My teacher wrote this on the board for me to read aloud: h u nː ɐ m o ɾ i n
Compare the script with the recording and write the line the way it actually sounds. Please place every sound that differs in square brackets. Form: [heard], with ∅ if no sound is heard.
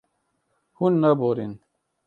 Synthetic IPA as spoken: h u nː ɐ [b] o ɾ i n